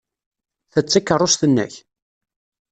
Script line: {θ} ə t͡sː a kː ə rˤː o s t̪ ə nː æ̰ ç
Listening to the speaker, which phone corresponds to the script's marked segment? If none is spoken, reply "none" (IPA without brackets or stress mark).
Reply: θ